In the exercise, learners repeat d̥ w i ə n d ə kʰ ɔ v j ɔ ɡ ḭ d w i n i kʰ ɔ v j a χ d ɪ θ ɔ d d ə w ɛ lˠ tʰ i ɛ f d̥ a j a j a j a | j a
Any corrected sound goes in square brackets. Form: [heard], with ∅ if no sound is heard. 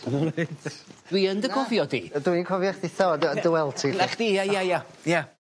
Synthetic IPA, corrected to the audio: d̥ w i ə n d ə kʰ ɔ v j ɔ [d] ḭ d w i n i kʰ ɔ v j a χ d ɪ θ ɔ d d ə w ɛ lˠ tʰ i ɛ [χ] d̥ [i] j a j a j a | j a